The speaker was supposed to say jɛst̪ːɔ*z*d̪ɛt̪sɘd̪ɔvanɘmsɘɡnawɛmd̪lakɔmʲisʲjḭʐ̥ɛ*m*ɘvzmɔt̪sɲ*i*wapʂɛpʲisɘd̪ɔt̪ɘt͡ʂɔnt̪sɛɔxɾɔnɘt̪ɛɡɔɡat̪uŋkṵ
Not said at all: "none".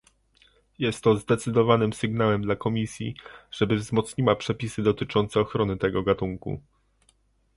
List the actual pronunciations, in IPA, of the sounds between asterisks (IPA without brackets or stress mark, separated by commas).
z, b, i